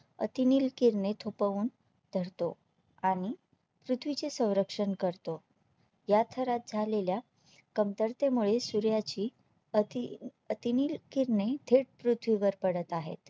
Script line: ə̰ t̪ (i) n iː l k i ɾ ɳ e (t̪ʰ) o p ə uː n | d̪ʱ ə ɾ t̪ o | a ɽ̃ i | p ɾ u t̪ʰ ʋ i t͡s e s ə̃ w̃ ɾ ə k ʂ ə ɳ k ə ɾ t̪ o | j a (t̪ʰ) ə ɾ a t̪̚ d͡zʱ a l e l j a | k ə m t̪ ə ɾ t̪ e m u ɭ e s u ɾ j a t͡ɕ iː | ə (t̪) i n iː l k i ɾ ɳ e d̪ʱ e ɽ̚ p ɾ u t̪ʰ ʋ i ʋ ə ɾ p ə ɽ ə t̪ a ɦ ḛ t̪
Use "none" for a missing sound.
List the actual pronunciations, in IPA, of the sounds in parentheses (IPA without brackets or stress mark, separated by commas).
i, t̪ʰ, t̪ʰ, t̪